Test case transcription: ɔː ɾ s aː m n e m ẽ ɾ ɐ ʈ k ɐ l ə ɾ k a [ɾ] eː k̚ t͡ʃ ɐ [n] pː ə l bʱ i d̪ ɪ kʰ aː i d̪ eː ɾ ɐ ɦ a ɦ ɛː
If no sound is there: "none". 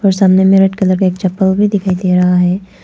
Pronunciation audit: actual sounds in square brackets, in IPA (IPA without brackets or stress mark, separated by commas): none, none